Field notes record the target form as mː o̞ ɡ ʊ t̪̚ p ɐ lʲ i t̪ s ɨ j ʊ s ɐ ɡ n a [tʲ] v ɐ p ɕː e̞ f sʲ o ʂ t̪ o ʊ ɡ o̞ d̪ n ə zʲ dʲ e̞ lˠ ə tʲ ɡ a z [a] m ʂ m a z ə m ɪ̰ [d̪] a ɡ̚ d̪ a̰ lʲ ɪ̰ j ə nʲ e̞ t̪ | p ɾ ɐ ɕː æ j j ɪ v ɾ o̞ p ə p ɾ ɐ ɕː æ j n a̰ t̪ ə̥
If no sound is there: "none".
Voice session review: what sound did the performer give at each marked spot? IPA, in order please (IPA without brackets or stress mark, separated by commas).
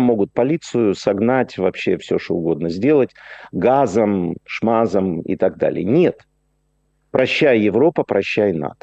tʲ, ə, t̪